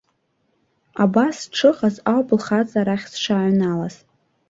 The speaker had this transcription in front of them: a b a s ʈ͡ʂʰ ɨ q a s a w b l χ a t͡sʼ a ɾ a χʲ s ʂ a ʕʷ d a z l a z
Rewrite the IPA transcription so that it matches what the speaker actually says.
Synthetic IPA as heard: a b a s ʈ͡ʂʰ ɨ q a z a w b l χ a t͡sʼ a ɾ a χʲ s ʂ a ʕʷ n a l a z

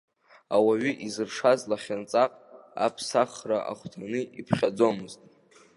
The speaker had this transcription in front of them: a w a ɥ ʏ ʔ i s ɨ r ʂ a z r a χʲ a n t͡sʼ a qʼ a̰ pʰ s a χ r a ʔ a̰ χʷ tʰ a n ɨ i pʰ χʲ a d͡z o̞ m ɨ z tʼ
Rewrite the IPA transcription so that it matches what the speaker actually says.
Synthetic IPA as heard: a w a ɥ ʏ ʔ i z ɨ r ʂ a z l a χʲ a n t͡sʼ a qʼ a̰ pʰ s a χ r a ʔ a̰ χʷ tʰ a n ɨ i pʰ χʲ a d͡z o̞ m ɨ z tʼ

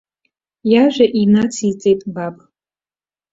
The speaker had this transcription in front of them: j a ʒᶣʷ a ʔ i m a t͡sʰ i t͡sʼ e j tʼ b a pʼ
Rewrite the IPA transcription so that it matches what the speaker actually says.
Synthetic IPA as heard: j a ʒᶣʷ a ʔ i n a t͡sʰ i t͡sʼ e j tʼ b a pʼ

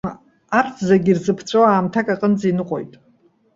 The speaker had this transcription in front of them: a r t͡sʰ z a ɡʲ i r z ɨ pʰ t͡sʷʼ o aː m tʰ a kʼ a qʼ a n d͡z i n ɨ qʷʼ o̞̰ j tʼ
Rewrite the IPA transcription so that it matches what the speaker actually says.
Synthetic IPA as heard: a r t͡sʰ z a ɡʲ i r z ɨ pʰ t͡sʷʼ o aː m tʰ a kʼ a qʼ ə n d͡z i n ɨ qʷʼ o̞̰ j tʼ

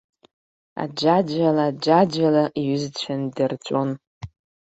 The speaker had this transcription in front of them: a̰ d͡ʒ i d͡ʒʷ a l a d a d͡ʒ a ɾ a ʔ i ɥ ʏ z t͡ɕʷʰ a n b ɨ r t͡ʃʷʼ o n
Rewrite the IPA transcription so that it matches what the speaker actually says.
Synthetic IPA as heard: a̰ d͡ʒ a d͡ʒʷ a l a d͡ʒ a d͡ʒ a l a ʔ i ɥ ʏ z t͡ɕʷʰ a n d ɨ r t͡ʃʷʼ o n

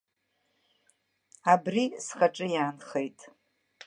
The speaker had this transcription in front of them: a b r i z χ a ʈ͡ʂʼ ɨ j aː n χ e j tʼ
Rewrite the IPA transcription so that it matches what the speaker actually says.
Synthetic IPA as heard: a b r i s χ a ʈ͡ʂʼ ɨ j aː n χ e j tʼ

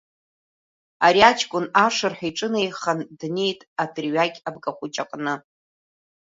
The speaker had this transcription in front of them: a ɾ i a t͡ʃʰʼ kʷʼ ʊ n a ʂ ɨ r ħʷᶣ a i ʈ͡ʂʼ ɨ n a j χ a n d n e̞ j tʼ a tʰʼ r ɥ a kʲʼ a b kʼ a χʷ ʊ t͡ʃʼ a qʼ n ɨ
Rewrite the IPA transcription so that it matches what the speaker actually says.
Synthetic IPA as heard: a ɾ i a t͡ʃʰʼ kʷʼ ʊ n a ʂ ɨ r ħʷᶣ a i ʈ͡ʂʼ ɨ n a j χ a n d n e̞ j tʼ a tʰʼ r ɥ a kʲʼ a b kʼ a χʷ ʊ t͡ʃʼ a qʼ n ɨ

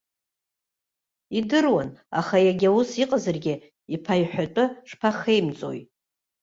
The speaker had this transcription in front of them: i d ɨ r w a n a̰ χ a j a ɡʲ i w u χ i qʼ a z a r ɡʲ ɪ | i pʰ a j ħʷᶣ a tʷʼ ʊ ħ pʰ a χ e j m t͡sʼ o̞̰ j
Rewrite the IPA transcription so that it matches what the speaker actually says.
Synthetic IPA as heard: i d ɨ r w a n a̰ χ a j a ɡʲ a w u s i qʼ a z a r ɡʲ ɪ | i pʰ a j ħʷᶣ a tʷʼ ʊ ʂ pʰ a χ e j m t͡sʼ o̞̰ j

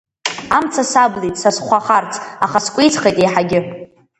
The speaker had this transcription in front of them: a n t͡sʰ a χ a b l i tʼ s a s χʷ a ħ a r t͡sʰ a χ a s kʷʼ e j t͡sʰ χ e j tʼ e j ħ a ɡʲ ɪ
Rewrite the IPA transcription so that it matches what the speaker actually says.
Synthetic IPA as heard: a m t͡sʰ a s a b l i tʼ s a s χʷ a χ a r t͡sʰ a χ a s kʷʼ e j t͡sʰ χ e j tʼ e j ħ a ɡʲ ɪ

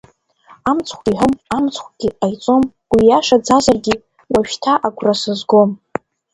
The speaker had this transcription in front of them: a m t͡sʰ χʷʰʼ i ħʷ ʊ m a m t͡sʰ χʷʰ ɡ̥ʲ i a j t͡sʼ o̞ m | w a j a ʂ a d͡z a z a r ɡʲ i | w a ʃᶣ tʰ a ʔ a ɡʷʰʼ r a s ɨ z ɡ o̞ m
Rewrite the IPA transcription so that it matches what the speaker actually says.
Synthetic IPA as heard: a m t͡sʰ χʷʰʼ i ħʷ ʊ m a m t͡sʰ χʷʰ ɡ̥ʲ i a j t͡sʼ o̞ m | w i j a ʂ a d͡z a z a r ɡʲ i | w a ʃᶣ tʰ a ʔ a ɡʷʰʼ r a s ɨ z ɡ o̞ m

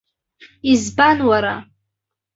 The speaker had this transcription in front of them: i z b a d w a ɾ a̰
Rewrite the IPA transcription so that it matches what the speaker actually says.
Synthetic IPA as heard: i z b a n w a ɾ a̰

